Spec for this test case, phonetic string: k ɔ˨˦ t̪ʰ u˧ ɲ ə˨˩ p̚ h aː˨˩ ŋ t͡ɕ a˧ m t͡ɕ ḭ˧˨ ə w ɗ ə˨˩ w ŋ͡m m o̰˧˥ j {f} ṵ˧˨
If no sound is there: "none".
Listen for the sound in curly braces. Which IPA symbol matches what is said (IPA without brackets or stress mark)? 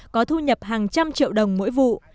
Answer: v